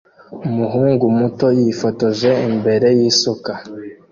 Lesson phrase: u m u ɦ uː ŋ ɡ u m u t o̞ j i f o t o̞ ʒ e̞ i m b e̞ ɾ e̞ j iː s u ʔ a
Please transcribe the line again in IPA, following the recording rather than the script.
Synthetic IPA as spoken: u m u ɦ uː ŋ ɡ u m u t o̞ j i f o t o̞ ʒ e̞ i m b e̞ ɾ e̞ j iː s u k a